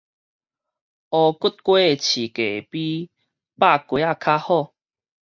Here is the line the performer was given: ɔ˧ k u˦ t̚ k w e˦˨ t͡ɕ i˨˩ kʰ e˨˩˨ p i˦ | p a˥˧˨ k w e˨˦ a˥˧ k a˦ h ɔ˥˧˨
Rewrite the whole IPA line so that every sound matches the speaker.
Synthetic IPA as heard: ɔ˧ k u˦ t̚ k w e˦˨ t͡ɕʰ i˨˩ k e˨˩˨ p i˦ | p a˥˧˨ k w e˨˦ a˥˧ kʰ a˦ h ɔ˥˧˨